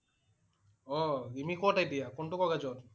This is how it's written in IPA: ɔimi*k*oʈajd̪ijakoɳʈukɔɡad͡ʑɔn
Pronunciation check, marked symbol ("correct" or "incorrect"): correct